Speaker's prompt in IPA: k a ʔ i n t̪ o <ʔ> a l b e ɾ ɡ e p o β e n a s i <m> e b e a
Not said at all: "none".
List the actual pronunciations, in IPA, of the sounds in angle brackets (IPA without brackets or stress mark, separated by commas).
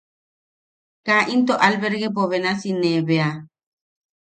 ʔ, n